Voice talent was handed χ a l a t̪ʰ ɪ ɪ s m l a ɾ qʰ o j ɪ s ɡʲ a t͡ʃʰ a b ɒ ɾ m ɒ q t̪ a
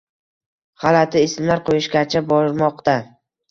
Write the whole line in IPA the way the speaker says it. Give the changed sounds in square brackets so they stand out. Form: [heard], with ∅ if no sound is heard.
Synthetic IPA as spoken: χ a l a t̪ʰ ɪ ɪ s m l a ɾ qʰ o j ɪ [ʃ] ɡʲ a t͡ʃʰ a b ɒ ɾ m ɒ q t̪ a